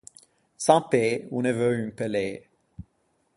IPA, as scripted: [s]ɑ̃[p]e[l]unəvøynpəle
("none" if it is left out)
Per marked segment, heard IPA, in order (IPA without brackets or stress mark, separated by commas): s, p, none